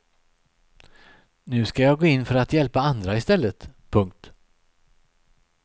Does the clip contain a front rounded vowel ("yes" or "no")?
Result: yes